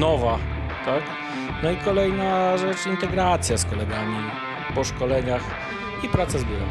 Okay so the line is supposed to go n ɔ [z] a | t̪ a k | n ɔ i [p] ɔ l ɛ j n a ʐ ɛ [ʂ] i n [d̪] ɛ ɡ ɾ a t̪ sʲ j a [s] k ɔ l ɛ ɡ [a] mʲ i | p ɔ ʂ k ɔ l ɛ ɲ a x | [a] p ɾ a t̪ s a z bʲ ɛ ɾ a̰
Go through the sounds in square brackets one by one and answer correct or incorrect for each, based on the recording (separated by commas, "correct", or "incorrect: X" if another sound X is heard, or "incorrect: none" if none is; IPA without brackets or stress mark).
incorrect: v, incorrect: k, incorrect: t͡ʂ, incorrect: t̪, correct, correct, incorrect: i